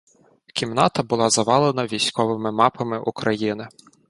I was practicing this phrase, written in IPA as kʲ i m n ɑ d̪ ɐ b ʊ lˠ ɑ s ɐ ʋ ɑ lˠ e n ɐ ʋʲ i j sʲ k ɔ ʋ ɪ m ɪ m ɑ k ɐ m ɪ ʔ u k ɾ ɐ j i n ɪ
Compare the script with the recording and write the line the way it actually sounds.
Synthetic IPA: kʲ i m n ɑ t̪ ɐ b ʊ lˠ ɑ z ɐ ʋ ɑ lˠ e n ɐ ʋʲ i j sʲ k ɔ ʋ ɪ m ɪ m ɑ p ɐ m ɪ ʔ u k ɾ ɐ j i n ɪ